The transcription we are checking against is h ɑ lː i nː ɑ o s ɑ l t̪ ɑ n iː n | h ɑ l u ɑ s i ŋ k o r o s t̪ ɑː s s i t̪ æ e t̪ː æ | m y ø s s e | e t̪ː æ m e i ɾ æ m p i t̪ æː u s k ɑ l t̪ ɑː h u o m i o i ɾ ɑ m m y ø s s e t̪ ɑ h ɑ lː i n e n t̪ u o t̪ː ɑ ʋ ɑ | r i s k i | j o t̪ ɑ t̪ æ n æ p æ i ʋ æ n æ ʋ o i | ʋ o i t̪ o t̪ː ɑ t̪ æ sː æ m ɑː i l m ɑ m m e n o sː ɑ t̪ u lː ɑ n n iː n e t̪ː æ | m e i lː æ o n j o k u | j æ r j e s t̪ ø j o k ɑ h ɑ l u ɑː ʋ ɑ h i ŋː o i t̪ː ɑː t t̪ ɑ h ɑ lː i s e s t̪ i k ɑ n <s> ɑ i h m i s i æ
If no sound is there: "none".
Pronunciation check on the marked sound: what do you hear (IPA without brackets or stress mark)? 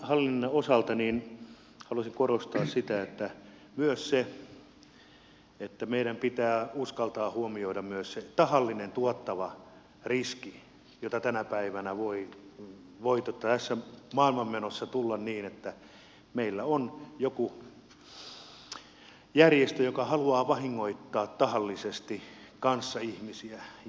sː